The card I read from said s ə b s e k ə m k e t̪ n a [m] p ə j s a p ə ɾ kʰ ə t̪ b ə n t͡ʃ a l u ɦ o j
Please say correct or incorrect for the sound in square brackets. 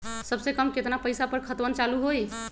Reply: incorrect